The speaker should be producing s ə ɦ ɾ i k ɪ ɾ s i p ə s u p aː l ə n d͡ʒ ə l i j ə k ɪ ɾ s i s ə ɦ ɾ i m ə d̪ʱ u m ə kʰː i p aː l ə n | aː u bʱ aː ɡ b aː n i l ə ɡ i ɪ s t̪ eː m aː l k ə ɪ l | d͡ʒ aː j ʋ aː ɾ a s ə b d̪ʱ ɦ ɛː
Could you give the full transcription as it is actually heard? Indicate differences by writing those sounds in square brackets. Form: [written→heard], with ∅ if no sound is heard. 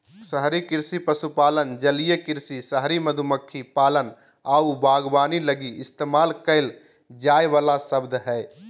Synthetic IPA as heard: s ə ɦ ɾ i k ɪ ɾ s i p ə s u p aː l ə n d͡ʒ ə l i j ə k ɪ ɾ s i s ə ɦ ɾ i m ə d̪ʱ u m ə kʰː i p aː l ə n | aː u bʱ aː ɡ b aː n i l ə ɡ i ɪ s t̪ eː m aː l k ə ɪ l | d͡ʒ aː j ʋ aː [ɾ→l] a s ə b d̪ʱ ɦ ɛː

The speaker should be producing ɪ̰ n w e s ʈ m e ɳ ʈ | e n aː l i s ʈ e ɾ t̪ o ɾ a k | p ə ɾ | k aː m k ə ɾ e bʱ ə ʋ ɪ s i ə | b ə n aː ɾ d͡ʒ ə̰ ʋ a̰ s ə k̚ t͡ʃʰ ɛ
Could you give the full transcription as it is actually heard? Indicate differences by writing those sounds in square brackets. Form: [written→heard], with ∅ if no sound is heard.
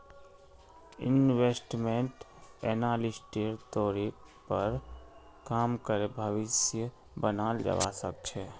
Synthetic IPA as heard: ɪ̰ n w e s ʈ m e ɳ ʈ | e n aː l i s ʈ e ɾ t̪ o ɾ [a→i] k | p ə ɾ | k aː m k ə ɾ e bʱ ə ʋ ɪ s [i→j] ə | b ə n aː [ɾ→l] d͡ʒ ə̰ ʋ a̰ s ə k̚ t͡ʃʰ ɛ

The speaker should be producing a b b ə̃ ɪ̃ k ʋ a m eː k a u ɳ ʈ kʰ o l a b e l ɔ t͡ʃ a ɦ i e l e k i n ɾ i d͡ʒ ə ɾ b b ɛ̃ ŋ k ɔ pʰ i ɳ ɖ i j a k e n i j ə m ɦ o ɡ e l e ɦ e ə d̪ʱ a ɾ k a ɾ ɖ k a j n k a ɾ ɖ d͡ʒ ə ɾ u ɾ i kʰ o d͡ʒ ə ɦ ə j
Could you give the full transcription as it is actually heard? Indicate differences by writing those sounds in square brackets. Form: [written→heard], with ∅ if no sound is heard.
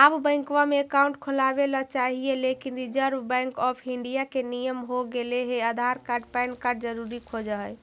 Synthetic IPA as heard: a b b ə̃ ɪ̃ k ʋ a m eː k a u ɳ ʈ kʰ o l a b e l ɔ t͡ʃ a ɦ i e l e k i n ɾ i d͡ʒ ə ɾ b b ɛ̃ ŋ k ɔ pʰ i ɳ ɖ i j a k e n i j ə m ɦ o ɡ e l e ɦ e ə d̪ʱ a ɾ k a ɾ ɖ [k→p] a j n k a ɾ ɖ d͡ʒ ə ɾ u ɾ i kʰ o d͡ʒ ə ɦ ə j

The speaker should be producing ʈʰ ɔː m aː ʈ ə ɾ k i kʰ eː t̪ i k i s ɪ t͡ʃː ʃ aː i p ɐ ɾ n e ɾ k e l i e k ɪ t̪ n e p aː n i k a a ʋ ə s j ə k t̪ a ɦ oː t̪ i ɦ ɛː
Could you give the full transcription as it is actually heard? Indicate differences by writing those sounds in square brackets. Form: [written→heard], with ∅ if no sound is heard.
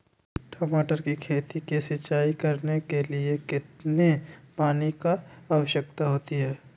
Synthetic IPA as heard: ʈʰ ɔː m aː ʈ ə ɾ k i kʰ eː t̪ i k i s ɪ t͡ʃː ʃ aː i [p→k] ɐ ɾ n e [ɾ→∅] k e l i e k ɪ t̪ n e p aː n i k a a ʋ ə [s→ʃ] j ə k t̪ a ɦ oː t̪ i ɦ ɛː

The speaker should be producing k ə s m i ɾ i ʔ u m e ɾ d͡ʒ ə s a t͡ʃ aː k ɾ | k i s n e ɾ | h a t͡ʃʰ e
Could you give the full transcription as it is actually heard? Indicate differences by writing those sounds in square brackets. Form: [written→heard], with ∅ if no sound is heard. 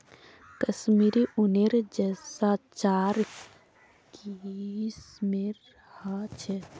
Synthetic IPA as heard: k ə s m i ɾ i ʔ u [m→n] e ɾ d͡ʒ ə s a t͡ʃ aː [k→∅] ɾ | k i s [n→m] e ɾ | h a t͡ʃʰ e

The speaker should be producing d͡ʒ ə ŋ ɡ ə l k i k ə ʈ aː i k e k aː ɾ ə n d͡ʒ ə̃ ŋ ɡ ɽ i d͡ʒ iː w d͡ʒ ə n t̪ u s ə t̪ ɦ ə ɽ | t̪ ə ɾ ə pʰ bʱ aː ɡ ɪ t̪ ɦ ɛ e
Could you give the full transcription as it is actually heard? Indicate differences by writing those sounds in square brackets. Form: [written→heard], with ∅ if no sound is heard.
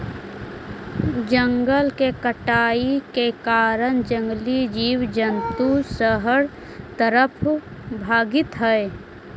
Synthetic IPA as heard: d͡ʒ ə ŋ ɡ ə l k [i→e] k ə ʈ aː i k e k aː ɾ ə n d͡ʒ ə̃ ŋ ɡ [ɽ→l] i d͡ʒ iː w d͡ʒ ə n t̪ u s ə [t̪→∅] ɦ ə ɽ | t̪ ə ɾ ə pʰ bʱ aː ɡ ɪ t̪ ɦ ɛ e

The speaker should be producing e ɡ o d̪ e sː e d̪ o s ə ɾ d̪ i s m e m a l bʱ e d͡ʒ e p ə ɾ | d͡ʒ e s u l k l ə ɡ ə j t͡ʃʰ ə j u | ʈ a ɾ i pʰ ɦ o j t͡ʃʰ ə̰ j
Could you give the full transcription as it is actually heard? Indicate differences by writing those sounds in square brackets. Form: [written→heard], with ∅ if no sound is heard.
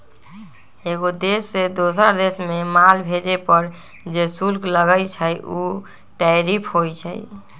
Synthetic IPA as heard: e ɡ o d̪ e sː e d̪ o s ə ɾ d̪ [i→e] s m e m a l bʱ e d͡ʒ e p ə ɾ | d͡ʒ e s u l k l ə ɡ ə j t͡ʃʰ ə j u | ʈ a ɾ i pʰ ɦ o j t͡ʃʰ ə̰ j

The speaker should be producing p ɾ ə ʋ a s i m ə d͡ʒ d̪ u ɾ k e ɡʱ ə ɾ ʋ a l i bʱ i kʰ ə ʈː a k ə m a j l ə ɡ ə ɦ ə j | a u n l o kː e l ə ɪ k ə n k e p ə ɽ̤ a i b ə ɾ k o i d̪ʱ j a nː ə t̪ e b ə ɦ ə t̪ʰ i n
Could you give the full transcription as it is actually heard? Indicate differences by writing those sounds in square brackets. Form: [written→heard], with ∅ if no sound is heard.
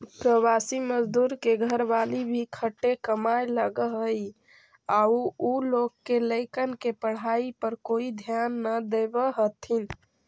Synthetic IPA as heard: p ɾ ə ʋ a s i m ə d͡ʒ d̪ u ɾ k e ɡʱ ə ɾ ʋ a l i bʱ i kʰ ə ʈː [a→e] k ə m a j l ə ɡ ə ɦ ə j | a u [n→∅] l o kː e l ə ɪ k ə n k e p ə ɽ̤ a i [b→p] ə ɾ k o i d̪ʱ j a nː ə [t̪→d̪] e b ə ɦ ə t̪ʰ i n

